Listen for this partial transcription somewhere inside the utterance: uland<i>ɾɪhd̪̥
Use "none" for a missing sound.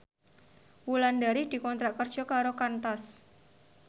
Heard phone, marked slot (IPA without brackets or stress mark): a